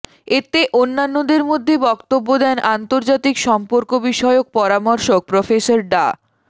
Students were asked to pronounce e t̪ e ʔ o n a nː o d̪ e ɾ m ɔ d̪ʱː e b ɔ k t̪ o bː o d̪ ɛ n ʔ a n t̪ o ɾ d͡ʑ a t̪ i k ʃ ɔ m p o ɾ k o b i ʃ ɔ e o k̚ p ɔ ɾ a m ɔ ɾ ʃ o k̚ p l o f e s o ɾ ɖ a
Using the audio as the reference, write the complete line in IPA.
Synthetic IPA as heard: e t̪ e ʔ o nː a nː o d̪ e ɾ m o d̪ʱː e b ɔ k t̪ o bː o d̪ ɛ n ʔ a n t̪ o ɾ d͡ʑ a t̪ i k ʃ ɔ m p o ɾ k o b i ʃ ɔ e o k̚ p ɔ ɾ a m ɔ ɾ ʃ o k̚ p ɾ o f e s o ɾ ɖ a